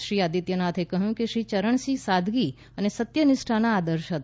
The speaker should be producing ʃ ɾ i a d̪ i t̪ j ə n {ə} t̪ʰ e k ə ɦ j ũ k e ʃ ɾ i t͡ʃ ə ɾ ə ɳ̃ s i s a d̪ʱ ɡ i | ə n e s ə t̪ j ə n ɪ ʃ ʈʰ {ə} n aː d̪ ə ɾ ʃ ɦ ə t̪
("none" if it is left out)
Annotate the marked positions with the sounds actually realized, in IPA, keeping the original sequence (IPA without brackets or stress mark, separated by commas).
a, a